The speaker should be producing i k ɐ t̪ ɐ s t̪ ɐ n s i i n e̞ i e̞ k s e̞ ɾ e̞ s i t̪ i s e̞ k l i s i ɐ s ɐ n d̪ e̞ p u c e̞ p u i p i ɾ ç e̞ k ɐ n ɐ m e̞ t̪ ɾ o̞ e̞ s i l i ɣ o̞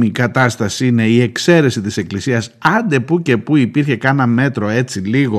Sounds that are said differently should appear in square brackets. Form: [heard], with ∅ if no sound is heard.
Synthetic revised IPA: i k ɐ t̪ ɐ s t̪ ɐ [∅] s i i n e̞ i e̞ k s e̞ ɾ e̞ s i t̪ i s e̞ k l i s i ɐ s ɐ n d̪ e̞ p u c e̞ p u i p i ɾ ç e̞ k ɐ n ɐ m e̞ t̪ ɾ o̞ e̞ [t͡s] i l i ɣ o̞